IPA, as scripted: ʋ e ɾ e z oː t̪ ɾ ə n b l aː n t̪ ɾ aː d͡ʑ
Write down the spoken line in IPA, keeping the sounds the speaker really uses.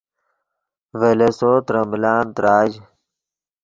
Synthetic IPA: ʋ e l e s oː t̪ ɾ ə m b l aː n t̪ ɾ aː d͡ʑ